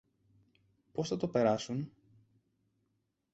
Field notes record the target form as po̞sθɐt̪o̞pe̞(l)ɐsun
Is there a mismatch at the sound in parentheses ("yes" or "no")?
yes